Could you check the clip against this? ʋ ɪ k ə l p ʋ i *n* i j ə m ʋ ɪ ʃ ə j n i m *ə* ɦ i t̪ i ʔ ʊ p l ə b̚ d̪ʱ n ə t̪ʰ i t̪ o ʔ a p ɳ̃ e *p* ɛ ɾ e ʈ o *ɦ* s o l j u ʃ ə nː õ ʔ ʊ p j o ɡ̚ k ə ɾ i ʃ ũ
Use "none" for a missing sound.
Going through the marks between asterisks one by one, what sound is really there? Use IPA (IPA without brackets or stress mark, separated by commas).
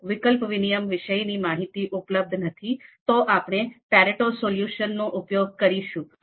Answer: n, a, p, none